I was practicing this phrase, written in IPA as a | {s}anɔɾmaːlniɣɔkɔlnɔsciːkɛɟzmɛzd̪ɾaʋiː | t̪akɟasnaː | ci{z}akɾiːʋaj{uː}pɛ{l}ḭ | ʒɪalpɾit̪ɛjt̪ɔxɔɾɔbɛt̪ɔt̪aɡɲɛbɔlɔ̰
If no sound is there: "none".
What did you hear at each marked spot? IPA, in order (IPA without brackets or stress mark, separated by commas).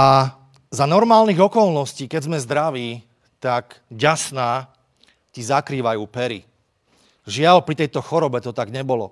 z, z, uː, ɾ